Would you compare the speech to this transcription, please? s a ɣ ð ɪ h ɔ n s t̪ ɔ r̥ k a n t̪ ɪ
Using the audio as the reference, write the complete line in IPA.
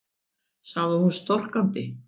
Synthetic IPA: s a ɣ ð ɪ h u n s t̪ ɔ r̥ k a n t̪ ɪ